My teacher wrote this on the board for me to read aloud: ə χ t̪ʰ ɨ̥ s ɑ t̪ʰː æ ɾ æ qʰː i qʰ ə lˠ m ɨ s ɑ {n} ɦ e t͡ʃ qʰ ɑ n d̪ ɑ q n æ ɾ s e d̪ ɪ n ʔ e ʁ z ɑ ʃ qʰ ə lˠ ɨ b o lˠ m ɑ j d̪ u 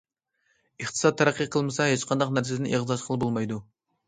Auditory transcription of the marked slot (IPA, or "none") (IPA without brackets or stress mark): none